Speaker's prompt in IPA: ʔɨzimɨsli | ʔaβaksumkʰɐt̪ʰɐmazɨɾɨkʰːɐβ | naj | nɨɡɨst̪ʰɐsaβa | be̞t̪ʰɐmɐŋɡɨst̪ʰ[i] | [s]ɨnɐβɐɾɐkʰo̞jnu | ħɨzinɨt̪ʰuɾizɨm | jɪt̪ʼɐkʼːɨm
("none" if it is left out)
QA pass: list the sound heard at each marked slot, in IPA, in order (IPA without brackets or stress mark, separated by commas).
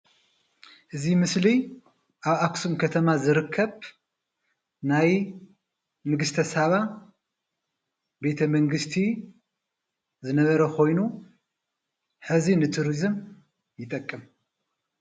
i, z